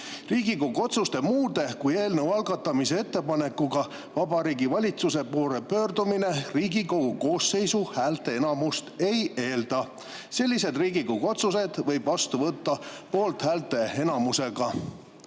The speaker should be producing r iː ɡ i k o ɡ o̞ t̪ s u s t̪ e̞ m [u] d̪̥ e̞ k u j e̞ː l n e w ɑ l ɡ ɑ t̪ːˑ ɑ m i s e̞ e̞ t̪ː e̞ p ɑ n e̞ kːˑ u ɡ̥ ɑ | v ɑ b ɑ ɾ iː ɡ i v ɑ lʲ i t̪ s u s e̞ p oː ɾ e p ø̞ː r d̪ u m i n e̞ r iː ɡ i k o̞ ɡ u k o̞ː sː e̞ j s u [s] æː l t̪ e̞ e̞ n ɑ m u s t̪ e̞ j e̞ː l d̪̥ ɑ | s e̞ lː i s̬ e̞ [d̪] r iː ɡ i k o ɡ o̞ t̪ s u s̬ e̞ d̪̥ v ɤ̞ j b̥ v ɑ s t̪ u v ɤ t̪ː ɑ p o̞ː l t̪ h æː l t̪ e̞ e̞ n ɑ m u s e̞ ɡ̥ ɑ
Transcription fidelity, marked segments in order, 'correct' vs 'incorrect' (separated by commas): incorrect, incorrect, correct